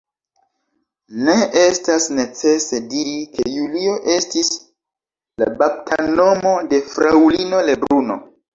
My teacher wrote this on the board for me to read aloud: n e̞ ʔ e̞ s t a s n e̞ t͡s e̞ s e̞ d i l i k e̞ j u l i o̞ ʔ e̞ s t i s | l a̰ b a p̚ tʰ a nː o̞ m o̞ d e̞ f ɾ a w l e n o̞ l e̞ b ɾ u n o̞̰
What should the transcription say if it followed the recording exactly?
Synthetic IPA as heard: n e̞ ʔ e̞ s t a s n e̞ t͡s e̞ s e̞ d i ɾ i k e̞ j u l i o̞ ʔ e̞ s t i s | l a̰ b a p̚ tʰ a n o̞ m o̞ d e̞ f ɾ a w l i n o̞ l e̞ b ɾ u n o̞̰